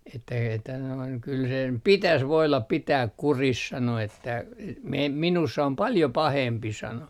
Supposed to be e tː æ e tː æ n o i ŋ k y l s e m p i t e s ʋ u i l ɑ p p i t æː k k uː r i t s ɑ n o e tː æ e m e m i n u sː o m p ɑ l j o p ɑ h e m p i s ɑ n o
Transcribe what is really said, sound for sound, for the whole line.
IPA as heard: e tː æ e tː æ n o i ŋ k y l s e m p i t æ s ʋ o i l ɑ p p i t æː k k u r i s s ɑ n o e tː æ e m e m i n u sː o m p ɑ l j o p ɑ h e m p i s ɑ n o